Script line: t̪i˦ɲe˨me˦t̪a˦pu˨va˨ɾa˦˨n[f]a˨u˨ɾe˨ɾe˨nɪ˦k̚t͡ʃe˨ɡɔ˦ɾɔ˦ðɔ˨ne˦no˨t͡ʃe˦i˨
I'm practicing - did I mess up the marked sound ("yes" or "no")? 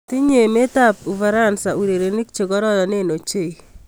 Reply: yes